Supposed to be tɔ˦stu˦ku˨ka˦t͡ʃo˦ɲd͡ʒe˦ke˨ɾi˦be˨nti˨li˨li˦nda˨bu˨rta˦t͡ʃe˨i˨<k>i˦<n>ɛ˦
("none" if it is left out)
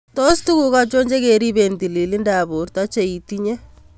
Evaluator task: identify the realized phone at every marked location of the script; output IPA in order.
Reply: t, ɲ

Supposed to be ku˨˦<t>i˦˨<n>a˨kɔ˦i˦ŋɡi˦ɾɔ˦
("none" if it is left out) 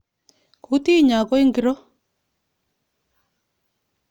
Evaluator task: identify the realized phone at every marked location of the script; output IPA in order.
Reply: t, ɲ

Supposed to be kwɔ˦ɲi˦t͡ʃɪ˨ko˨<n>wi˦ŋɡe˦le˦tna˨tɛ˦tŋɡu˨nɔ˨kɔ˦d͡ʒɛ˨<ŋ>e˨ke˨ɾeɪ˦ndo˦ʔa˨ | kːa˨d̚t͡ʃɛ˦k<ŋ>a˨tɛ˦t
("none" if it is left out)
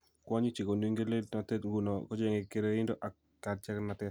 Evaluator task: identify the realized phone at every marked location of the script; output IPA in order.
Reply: n, ŋ, n

